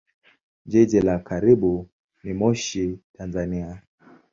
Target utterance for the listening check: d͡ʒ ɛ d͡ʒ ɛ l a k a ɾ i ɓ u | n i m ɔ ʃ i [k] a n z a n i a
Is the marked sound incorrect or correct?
incorrect